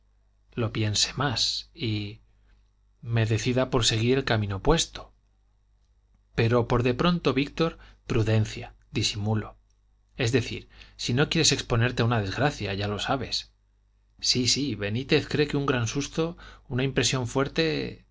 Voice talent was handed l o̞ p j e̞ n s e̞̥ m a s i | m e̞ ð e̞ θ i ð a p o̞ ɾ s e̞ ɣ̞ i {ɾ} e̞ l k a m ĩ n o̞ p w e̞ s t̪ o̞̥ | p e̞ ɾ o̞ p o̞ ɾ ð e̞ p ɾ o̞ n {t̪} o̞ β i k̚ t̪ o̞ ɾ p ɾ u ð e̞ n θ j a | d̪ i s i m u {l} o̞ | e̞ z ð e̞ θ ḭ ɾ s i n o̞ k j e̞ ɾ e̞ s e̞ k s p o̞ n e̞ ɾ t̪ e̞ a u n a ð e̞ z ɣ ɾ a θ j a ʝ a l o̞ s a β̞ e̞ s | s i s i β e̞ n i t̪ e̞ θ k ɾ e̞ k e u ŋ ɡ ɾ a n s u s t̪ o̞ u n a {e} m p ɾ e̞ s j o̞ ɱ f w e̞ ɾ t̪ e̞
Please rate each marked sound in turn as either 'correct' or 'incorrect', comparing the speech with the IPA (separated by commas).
correct, correct, correct, incorrect